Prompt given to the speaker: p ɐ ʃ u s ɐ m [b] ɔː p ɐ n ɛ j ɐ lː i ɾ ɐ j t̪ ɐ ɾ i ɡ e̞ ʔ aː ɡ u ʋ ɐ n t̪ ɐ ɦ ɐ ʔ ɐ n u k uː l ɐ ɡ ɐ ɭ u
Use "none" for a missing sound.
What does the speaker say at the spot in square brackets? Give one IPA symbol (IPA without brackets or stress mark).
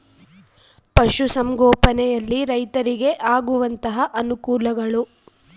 ɡ